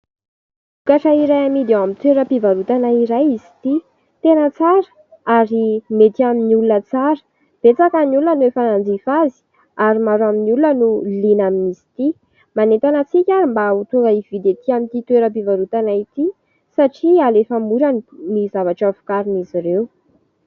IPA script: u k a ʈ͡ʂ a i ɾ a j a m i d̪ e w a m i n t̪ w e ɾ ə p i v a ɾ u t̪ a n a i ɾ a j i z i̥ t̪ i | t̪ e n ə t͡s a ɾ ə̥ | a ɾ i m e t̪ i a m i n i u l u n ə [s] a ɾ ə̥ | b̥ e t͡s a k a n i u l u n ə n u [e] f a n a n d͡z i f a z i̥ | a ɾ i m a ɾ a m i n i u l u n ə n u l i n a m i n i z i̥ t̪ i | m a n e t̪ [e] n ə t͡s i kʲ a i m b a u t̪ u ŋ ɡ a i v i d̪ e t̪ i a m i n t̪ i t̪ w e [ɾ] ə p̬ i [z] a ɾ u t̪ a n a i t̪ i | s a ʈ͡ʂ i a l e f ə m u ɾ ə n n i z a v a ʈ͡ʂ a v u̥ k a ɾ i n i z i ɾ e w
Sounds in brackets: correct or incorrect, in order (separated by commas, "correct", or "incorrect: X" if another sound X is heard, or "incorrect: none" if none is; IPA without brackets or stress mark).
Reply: incorrect: t͡s, correct, incorrect: a, correct, incorrect: v